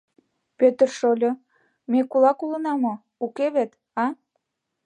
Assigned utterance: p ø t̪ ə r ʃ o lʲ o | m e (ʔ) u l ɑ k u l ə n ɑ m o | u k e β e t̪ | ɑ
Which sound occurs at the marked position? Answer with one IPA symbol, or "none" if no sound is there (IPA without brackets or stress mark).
k